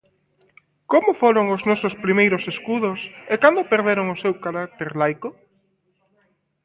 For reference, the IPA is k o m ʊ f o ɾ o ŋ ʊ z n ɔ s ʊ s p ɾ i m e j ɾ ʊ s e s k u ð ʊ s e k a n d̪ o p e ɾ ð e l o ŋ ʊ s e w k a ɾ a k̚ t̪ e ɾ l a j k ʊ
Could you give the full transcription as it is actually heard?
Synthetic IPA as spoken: k o m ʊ f o ɾ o ŋ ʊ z n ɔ s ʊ s p ɾ i m e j ɾ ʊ s e s k u ð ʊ s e k a n d̪ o p e ɾ ð e ɾ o ŋ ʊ s e w k a ɾ a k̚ t̪ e ɾ l a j k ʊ